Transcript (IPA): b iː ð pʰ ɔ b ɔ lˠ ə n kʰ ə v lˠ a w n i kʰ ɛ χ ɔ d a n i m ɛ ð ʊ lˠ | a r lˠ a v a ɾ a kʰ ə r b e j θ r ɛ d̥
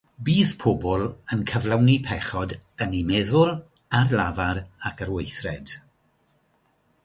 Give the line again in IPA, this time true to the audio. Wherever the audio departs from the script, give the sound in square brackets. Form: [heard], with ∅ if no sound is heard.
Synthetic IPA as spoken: b iː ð pʰ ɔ b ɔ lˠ ə n kʰ ə v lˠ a w n i [pʰ] ɛ χ ɔ d [ə] n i m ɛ ð ʊ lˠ | a r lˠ a v a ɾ a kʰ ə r [w] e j θ r ɛ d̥